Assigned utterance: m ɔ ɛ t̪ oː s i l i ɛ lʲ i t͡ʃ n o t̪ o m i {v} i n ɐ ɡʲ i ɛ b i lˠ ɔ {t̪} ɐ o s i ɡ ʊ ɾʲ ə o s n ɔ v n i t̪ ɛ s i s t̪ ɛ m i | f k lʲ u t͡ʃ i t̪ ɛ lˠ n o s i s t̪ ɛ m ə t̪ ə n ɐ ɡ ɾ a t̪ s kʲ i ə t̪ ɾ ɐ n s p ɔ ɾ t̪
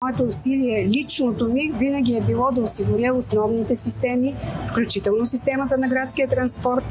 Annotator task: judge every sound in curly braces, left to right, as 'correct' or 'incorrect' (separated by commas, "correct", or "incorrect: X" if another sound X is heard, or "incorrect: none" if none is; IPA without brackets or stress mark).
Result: correct, incorrect: d̪